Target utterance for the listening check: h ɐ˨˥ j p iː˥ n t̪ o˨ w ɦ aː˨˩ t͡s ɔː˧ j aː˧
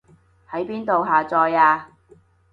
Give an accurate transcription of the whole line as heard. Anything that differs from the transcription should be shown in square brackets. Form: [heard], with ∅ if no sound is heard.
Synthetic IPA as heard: h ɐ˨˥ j p iː˥ n t̪ o˨ w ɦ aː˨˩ t͡s ɔː˧ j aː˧